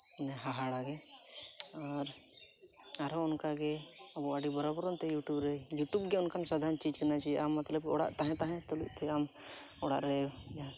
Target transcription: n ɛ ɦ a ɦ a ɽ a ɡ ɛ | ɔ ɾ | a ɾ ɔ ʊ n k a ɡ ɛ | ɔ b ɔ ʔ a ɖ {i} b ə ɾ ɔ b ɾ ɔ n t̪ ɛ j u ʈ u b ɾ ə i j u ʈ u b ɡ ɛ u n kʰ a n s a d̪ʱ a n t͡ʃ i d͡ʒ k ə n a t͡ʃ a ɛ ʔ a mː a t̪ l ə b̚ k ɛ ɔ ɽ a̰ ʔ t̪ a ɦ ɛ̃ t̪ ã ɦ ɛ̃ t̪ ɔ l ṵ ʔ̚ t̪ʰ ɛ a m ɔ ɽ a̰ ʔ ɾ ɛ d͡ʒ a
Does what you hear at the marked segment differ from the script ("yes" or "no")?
no